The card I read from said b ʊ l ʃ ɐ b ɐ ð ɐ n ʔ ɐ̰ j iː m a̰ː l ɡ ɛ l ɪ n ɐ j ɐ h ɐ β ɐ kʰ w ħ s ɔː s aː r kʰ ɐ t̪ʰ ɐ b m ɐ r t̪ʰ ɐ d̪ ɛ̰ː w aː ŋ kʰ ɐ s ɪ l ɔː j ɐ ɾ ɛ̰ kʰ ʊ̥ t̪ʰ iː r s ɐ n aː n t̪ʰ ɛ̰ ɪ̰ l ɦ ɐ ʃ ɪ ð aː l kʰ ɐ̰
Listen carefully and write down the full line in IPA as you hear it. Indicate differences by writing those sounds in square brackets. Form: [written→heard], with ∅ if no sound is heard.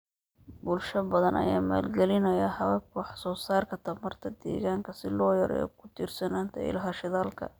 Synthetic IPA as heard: b ʊ l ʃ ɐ b ɐ ð ɐ n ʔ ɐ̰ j [iː→aː] m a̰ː l ɡ ɛ l ɪ n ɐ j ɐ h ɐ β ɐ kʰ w ħ s ɔː s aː r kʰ ɐ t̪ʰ ɐ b m ɐ r t̪ʰ ɐ d̪ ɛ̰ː [w→ɣ] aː ŋ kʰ ɐ s ɪ l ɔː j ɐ ɾ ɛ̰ kʰ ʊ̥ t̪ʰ iː r s ɐ n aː n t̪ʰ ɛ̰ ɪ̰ l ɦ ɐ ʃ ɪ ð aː l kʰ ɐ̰

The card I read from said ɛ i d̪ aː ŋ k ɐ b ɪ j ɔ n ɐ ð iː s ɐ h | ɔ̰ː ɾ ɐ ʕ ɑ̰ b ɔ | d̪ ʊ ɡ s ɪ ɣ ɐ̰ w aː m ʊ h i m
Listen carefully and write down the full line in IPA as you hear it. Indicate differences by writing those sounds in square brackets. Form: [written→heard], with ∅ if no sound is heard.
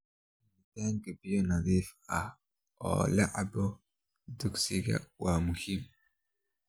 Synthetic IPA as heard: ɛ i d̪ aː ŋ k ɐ b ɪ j ɔ n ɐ ð iː [s→f] ɐ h | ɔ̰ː [ɾ→l] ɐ ʕ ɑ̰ b ɔ | d̪ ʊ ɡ s ɪ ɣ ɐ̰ w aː m ʊ h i m

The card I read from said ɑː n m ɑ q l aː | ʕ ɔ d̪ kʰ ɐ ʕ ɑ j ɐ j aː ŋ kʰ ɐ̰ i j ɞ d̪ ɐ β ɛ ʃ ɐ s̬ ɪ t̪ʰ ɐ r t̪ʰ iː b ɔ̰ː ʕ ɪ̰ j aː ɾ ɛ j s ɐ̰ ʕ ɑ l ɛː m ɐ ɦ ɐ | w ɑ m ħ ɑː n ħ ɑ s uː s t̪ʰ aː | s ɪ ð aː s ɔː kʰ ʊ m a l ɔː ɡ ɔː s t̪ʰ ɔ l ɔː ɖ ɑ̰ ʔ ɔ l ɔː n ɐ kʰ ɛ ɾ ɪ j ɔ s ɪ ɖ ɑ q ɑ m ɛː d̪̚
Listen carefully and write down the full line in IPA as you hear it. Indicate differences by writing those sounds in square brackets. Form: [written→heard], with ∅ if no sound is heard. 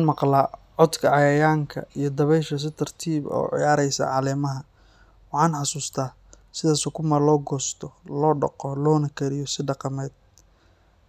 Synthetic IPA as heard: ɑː n m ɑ q l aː | ʕ ɔ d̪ kʰ ɐ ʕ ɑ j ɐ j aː ŋ kʰ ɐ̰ i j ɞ d̪ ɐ β ɛ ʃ ɐ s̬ ɪ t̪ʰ ɐ r t̪ʰ iː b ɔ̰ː ʕ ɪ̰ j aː ɾ ɛ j s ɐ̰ ʕ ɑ l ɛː m ɐ ɦ ɐ | w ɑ [m→∅] ħ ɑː n ħ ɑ s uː s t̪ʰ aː | s ɪ ð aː s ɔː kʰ ʊ m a l ɔː ɡ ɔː s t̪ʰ ɔ l ɔː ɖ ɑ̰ [ʔ→q] ɔ l ɔː n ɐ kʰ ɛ ɾ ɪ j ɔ s ɪ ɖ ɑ q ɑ m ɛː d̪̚

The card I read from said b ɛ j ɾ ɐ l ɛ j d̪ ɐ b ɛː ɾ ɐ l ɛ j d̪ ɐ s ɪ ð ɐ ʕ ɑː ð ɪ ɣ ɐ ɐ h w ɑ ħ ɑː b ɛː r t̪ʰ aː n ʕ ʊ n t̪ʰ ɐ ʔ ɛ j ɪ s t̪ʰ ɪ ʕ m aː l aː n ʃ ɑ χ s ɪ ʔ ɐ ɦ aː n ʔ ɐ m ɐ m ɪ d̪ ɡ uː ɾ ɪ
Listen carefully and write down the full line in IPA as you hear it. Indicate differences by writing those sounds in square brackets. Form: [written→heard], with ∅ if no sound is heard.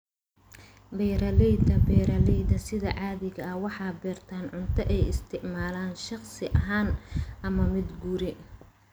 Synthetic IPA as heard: b ɛ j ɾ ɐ l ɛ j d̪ ɐ b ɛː ɾ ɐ l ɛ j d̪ ɐ s ɪ ð ɐ ʕ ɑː ð ɪ ɣ ɐ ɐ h w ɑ ħ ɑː b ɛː r t̪ʰ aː n ʕ ʊ n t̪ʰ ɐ ʔ ɛ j ɪ s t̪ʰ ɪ ʕ m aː l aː n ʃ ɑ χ s ɪ ʔ ɐ ɦ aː n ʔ ɐ m ɐ m ɪ d̪ ɡ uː ɾ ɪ

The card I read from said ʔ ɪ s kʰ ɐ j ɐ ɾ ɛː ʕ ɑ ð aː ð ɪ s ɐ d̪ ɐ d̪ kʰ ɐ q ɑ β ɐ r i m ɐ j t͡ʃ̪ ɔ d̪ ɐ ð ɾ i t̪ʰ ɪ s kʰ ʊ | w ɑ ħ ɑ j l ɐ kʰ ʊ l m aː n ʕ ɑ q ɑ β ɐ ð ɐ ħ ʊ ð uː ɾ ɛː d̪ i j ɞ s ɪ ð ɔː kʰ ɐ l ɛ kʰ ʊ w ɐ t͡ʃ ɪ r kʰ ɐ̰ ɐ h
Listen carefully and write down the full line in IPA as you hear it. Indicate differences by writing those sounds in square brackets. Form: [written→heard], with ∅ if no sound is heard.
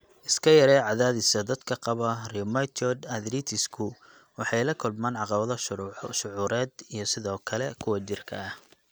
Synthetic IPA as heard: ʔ ɪ s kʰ ɐ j ɐ ɾ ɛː ʕ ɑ ð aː ð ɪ s ɐ d̪ ɐ d̪ kʰ ɐ q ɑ β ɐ r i m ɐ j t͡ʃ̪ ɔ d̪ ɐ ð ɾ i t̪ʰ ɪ s kʰ ʊ | w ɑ ħ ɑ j l ɐ kʰ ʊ l m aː n ʕ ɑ q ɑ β ɐ ð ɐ [ħ→ʃ] ʊ [ð→ʕ] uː ɾ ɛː d̪ i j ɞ s ɪ ð ɔː kʰ ɐ l ɛ kʰ ʊ w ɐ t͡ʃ ɪ r kʰ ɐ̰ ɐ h

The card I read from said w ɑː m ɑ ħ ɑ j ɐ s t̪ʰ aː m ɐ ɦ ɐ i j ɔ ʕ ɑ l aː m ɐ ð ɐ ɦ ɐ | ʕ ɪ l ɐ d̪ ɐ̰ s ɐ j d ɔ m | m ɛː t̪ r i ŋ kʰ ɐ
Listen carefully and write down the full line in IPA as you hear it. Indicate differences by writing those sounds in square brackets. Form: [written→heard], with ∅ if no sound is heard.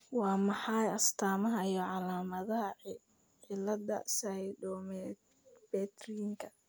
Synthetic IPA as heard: w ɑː m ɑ ħ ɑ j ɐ s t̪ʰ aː m ɐ ɦ ɐ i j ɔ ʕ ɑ l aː m ɐ ð ɐ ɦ ɐ | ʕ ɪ l ɐ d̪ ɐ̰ s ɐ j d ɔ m | [m→b] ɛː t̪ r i ŋ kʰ ɐ

